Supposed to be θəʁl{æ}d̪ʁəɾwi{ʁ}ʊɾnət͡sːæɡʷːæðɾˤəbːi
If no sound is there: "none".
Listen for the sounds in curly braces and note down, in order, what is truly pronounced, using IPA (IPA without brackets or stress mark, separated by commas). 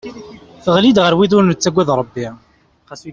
i, ð